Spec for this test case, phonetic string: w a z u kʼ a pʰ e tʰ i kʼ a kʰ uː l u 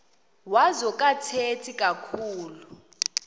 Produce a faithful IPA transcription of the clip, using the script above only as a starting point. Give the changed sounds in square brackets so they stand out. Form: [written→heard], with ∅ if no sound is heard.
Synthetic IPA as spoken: w a z [u→ɔ] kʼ a [pʰ→tʰ] e tʰ i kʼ a kʰ uː l u